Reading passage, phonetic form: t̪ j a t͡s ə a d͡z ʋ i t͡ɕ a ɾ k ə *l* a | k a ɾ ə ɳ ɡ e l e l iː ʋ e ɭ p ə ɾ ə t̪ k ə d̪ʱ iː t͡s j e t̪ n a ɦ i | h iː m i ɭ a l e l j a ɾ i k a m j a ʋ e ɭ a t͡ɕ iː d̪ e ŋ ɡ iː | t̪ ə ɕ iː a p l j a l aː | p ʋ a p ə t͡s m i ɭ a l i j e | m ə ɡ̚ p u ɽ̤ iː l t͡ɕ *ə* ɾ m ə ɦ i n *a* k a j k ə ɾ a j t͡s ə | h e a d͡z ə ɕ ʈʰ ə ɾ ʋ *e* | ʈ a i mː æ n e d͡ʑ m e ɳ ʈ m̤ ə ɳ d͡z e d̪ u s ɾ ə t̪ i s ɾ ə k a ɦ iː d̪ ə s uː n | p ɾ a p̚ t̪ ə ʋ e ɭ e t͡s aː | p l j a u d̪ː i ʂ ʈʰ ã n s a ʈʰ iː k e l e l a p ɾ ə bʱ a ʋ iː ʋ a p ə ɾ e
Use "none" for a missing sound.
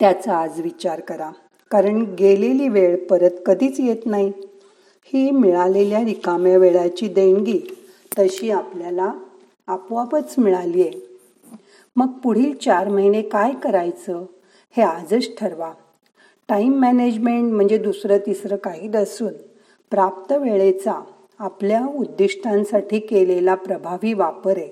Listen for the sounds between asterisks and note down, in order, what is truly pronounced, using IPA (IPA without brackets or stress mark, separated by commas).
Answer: ɾ, a, e, a